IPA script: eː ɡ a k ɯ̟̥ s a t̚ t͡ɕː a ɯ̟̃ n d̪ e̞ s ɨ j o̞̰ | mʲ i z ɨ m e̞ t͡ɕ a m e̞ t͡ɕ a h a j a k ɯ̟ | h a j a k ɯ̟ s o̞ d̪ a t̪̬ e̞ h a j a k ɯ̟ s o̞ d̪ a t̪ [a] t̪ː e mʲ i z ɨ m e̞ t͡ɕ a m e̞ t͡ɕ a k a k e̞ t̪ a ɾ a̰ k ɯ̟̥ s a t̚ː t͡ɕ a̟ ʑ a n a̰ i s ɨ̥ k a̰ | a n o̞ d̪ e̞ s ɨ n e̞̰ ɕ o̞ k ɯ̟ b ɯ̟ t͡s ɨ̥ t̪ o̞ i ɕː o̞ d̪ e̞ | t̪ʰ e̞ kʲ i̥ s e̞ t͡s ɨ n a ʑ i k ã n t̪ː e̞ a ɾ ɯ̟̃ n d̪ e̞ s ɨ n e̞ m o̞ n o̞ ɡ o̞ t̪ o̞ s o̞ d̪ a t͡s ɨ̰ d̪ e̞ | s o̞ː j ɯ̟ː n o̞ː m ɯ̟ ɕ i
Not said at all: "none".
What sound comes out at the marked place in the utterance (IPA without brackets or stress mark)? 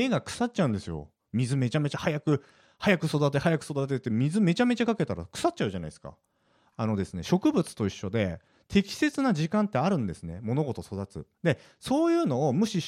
e